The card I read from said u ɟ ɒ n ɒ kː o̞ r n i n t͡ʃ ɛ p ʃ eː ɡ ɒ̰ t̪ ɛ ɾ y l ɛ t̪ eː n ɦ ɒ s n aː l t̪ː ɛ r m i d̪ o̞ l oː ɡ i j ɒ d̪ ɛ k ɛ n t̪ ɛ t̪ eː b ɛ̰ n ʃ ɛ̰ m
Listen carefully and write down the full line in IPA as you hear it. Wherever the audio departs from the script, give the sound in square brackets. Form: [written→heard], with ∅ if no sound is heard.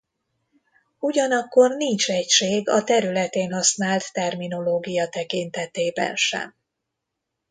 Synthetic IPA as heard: u ɟ ɒ n ɒ kː o̞ r n i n t͡ʃ ɛ [p→c] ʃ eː ɡ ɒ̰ t̪ ɛ ɾ y l ɛ t̪ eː n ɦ ɒ s n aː l t̪ː ɛ r m i [d̪→n̪] o̞ l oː ɡ i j ɒ [d̪→t̪] ɛ k [ɛ→i] n t̪ ɛ t̪ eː b ɛ̰ n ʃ ɛ̰ m